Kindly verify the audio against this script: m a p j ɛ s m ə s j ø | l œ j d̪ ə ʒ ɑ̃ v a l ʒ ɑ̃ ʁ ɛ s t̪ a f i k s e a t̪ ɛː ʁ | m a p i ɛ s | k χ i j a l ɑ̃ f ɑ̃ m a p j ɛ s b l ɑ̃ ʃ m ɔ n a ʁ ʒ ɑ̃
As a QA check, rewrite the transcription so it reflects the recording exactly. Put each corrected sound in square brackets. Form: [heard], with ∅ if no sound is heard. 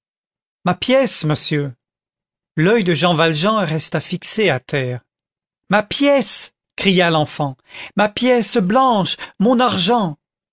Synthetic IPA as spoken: m a p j ɛ s m ə s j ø | l œ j d̪ ə ʒ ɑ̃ v a l ʒ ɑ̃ ʁ ɛ s t̪ a f i k s e a t̪ ɛː ʁ | m a p [j] ɛ s | k χ i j a l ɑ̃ f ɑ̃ m a p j ɛ s b l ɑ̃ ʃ m [ɔ̃] n a ʁ ʒ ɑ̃